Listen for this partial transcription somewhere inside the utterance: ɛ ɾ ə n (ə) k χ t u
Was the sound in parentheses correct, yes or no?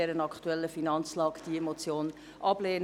no